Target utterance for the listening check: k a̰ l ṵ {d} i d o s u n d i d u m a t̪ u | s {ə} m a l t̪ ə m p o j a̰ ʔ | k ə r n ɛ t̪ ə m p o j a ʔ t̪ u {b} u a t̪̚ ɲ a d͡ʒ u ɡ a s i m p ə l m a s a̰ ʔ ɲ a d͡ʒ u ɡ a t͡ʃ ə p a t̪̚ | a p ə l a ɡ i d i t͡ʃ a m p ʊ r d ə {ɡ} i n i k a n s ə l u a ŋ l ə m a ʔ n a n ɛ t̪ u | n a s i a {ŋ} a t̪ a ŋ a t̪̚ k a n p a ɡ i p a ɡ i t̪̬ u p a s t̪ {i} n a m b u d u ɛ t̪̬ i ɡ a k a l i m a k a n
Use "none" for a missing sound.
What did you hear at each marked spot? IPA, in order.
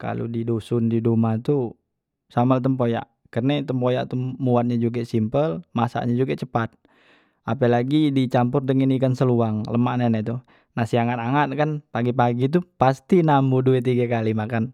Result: d, a, m, ŋ, ŋ, i

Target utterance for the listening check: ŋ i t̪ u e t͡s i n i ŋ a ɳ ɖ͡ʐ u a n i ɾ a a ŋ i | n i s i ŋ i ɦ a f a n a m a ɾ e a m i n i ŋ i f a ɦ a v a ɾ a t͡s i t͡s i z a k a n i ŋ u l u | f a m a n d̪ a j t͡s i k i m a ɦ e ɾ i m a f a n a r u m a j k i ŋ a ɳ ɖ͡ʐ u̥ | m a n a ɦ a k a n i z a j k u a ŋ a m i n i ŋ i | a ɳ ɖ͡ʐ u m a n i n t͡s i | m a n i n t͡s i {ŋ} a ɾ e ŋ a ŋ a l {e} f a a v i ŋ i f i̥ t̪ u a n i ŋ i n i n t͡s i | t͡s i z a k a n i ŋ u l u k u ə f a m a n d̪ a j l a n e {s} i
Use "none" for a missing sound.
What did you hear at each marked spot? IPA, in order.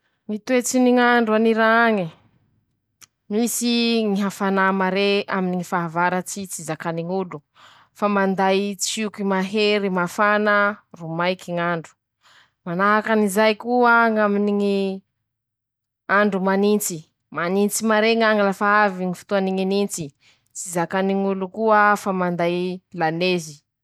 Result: m, a, z

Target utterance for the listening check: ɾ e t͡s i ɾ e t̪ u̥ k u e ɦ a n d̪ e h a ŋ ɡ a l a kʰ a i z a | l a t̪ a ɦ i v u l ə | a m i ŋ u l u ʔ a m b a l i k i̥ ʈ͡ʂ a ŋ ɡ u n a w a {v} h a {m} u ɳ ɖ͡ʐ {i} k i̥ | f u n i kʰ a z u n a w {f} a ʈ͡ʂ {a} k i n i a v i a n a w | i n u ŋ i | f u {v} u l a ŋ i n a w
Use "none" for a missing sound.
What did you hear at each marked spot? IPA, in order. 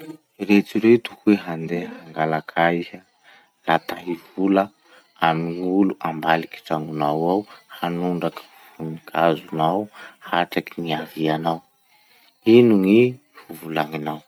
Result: w, n, a, h, a, v

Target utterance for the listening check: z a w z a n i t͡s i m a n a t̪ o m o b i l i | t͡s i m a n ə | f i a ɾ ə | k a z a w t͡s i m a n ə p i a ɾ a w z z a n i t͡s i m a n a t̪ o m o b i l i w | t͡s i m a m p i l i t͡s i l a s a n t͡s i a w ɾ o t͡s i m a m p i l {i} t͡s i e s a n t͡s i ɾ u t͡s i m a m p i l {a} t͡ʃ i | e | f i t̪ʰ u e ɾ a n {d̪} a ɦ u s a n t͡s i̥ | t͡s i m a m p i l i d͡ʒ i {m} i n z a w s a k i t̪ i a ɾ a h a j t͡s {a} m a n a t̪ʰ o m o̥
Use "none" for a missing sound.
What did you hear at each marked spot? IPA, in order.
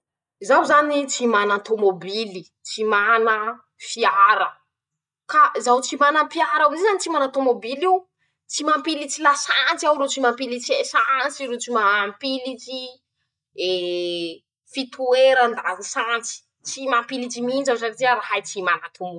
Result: i, i, d̪, m, i

